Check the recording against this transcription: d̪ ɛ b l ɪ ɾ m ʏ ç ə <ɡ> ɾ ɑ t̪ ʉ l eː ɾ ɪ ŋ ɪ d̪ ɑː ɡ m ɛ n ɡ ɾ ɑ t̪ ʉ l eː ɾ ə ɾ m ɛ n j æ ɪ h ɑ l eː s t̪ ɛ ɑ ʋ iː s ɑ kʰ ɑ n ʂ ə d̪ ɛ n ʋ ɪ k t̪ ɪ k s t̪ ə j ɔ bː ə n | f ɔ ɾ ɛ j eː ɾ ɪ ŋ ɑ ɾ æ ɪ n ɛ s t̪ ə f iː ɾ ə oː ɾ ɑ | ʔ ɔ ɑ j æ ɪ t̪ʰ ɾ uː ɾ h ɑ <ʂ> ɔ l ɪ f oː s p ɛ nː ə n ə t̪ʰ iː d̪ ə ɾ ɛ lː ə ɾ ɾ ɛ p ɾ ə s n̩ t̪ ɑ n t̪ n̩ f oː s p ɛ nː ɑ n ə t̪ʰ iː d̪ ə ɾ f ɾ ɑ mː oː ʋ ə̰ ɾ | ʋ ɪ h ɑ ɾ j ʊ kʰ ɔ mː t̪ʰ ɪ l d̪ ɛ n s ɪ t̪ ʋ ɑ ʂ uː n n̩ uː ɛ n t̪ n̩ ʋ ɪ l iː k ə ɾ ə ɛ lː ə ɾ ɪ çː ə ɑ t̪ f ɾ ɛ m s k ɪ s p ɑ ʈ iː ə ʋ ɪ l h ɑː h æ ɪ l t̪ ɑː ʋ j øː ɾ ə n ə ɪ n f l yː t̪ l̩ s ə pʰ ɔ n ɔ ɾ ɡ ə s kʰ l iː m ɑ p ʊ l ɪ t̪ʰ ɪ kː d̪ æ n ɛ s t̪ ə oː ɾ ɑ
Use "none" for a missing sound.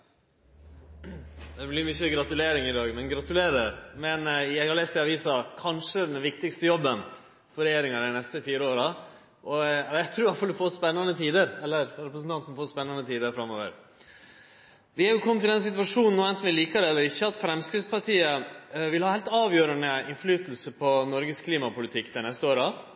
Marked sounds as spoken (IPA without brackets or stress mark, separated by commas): ɡ, f